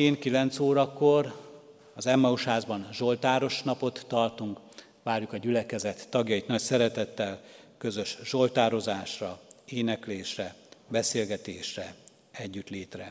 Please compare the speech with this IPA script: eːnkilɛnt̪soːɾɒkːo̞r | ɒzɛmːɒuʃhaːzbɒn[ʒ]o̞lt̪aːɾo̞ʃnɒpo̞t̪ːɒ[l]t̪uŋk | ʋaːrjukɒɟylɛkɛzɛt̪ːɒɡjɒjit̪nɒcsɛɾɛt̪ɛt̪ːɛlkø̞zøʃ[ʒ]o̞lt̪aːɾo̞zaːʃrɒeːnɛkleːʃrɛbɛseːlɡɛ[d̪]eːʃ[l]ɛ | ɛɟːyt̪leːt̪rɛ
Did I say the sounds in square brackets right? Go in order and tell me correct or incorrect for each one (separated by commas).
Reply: correct, incorrect, correct, incorrect, incorrect